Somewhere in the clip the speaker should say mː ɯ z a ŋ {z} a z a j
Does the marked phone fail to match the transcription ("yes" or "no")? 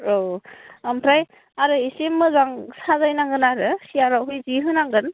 yes